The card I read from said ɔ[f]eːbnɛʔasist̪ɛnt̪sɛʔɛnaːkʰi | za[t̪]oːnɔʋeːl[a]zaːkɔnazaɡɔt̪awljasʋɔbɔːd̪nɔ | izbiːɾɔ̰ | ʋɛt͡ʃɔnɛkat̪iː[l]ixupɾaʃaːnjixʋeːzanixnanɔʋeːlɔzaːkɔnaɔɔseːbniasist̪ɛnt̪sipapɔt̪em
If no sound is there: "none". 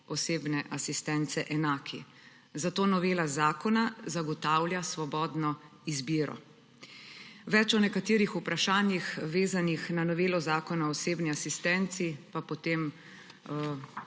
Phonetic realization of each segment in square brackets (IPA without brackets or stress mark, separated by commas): s, t̪, a, ɾ